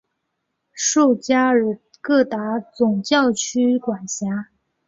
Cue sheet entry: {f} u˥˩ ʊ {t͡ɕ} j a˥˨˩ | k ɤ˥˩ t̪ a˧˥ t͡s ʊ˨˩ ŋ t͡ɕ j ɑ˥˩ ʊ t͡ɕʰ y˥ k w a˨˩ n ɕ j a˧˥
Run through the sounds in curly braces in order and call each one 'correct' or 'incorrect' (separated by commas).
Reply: incorrect, correct